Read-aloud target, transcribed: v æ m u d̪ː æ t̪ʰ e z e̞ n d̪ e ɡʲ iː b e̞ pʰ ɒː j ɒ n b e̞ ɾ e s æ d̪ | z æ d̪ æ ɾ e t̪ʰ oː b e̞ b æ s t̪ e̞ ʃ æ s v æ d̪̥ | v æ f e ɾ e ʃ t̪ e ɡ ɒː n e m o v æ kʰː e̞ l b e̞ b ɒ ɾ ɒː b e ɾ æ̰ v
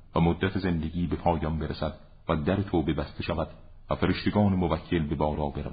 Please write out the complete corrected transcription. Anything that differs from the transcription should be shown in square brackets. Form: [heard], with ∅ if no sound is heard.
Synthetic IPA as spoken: v æ m [o] d̪ː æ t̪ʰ e z e̞ n d̪ e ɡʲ iː b e̞ pʰ ɒː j ɒ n b e̞ ɾ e s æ d̪ | [v] æ d̪ æ ɾ e t̪ʰ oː b e̞ b æ s t̪ e̞ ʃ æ [∅] v æ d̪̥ | v æ f e ɾ e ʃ t̪ e ɡ ɒː n e m o v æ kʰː e̞ l b e̞ b [ɒː] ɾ ɒː b e ɾ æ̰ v